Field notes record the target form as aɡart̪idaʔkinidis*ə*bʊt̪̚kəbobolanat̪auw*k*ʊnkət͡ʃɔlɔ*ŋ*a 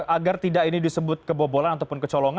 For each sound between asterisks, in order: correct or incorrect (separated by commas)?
correct, incorrect, correct